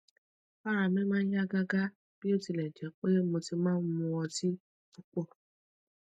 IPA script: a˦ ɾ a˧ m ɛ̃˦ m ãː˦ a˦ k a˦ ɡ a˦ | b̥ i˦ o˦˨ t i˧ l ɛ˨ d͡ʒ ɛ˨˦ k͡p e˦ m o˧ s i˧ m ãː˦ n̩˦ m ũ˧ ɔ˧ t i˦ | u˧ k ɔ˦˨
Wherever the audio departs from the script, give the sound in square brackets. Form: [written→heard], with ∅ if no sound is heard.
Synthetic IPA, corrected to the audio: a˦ ɾ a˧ m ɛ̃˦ m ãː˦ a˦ [k→ɡ] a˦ ɡ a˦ | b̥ i˦ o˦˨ t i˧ l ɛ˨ d͡ʒ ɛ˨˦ k͡p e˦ m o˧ [s→t] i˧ m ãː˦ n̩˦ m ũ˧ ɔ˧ t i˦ | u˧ [k→k͡p] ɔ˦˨